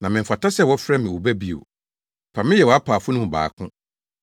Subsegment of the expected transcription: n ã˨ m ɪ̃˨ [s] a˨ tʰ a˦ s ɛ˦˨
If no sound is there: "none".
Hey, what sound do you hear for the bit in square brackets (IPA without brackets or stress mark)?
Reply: f